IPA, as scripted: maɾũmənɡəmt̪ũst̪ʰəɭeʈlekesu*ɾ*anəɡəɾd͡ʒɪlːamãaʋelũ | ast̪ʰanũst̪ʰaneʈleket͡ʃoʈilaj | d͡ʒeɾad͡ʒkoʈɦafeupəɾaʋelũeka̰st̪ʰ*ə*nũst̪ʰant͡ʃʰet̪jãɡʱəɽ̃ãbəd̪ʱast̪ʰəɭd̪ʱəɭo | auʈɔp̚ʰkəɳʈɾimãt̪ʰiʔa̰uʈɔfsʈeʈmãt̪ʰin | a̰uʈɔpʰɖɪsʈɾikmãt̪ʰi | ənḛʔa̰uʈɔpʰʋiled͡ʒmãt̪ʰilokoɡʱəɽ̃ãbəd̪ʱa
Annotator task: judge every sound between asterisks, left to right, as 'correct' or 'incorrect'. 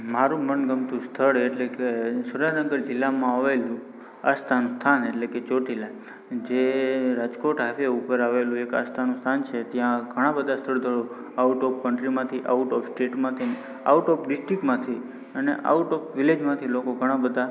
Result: correct, incorrect

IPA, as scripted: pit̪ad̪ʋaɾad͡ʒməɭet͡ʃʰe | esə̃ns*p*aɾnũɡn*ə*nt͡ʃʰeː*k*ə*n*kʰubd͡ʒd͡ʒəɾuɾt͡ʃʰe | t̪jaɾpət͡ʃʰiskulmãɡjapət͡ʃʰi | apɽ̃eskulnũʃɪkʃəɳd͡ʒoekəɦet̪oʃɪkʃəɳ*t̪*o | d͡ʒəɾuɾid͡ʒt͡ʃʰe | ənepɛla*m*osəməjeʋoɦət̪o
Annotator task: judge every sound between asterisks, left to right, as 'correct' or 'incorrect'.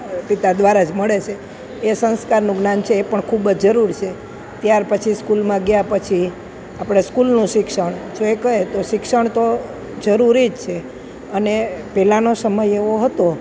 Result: incorrect, incorrect, incorrect, incorrect, correct, incorrect

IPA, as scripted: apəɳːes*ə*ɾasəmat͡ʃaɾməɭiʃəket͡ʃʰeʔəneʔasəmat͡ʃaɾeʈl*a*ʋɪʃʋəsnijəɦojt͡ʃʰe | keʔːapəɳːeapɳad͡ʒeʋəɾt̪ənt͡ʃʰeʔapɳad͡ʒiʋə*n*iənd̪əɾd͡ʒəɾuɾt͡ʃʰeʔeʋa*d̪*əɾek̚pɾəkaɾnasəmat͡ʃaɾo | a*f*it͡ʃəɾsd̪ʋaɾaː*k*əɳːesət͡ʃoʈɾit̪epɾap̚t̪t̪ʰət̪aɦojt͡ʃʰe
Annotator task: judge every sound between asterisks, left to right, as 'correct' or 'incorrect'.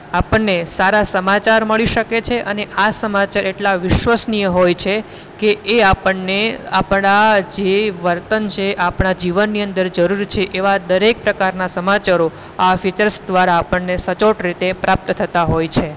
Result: incorrect, correct, incorrect, correct, correct, incorrect

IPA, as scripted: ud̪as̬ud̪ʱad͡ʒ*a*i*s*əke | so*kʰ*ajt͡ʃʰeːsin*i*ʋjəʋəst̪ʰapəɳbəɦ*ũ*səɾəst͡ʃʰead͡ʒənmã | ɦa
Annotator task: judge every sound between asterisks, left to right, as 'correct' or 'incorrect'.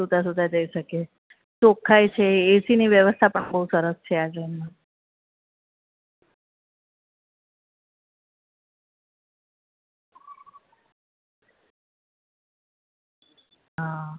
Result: incorrect, incorrect, correct, correct, incorrect

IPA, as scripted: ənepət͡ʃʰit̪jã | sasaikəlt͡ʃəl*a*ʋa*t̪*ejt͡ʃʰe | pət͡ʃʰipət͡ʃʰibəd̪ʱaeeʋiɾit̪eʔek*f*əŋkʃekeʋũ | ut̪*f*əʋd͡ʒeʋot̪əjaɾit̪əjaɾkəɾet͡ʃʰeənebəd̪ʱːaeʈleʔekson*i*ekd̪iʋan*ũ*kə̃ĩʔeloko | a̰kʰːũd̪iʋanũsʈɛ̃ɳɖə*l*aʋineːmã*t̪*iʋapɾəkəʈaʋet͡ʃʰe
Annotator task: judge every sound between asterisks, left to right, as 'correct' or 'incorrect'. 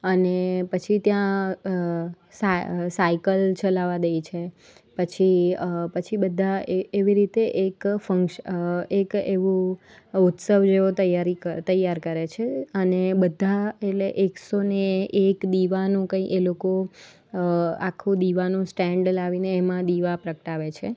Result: correct, incorrect, correct, incorrect, incorrect, correct, correct, incorrect

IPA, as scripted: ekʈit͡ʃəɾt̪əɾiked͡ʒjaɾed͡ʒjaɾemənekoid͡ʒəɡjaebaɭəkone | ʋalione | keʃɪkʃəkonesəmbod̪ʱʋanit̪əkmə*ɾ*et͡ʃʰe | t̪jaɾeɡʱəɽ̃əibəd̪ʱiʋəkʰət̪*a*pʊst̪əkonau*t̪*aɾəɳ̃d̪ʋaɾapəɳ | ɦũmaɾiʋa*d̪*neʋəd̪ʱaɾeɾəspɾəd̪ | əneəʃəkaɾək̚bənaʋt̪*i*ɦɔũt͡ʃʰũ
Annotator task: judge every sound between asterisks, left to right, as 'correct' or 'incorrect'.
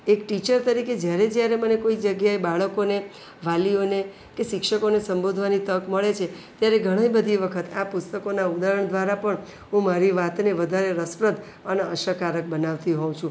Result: incorrect, correct, incorrect, incorrect, correct

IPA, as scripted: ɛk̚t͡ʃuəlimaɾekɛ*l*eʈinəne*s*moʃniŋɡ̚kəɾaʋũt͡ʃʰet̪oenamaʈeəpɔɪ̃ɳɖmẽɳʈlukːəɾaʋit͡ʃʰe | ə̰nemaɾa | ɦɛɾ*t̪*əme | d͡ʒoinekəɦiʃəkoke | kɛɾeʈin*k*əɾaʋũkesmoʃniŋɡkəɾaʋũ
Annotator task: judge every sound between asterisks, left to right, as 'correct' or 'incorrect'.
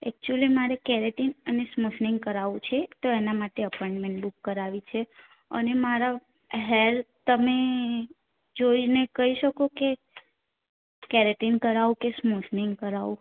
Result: incorrect, correct, correct, correct

